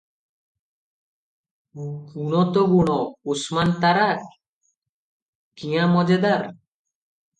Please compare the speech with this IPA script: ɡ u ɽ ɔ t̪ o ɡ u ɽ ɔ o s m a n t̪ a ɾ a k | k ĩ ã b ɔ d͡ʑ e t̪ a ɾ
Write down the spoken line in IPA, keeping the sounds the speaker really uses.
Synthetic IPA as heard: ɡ u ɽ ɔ t̪ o ɡ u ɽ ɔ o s m a n t̪ a ɾ a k | k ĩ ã m ɔ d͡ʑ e d̪ a ɾ